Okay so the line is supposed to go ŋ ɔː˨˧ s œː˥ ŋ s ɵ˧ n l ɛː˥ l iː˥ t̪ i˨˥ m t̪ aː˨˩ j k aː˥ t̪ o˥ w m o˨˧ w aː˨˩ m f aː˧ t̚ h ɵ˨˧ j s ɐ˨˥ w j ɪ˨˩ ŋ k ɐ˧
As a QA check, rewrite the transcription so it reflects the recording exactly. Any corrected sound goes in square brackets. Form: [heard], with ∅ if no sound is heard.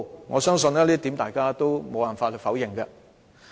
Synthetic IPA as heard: ŋ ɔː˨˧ s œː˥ ŋ s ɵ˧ n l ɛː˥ l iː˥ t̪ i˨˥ m t̪ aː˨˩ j k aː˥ t̪ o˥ w m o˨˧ w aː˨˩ [n] f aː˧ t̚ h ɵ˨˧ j [f] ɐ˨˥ w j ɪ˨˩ ŋ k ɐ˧

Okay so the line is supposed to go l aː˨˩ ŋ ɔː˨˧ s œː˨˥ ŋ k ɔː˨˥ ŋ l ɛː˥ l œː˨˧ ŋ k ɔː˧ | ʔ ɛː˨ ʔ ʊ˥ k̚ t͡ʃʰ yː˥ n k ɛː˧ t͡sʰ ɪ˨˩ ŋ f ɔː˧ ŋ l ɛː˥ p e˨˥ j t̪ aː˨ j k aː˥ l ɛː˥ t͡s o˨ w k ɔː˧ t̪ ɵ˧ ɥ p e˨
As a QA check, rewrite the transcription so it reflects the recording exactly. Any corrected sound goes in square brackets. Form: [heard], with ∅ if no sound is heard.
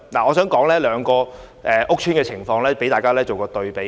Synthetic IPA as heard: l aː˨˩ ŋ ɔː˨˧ s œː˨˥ ŋ k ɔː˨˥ ŋ l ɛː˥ l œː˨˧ ŋ k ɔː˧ | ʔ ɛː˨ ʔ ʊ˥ k̚ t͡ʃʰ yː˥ n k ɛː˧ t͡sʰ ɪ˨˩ ŋ f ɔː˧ ŋ l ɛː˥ p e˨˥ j t̪ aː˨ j k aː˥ l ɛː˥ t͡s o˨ w k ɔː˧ t̪ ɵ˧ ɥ p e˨

